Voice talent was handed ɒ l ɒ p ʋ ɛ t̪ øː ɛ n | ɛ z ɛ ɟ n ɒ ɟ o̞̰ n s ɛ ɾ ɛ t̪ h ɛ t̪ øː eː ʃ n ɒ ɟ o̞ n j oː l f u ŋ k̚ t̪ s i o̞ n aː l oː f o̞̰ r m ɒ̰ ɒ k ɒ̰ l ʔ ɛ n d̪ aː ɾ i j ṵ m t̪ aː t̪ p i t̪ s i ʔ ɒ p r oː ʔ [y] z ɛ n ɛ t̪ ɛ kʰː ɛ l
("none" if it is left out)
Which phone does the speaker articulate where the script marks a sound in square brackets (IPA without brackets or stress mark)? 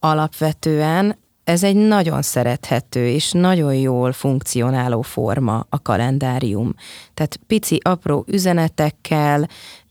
y